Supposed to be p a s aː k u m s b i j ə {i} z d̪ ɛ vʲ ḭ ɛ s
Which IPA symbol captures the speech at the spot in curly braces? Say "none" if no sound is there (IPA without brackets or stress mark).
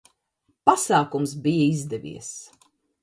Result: i